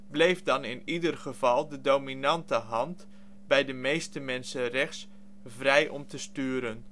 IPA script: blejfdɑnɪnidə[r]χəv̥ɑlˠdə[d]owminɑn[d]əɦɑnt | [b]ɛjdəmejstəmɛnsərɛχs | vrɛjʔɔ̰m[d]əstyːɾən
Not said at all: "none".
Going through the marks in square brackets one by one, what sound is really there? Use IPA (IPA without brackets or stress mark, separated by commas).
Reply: r, d, t, b, t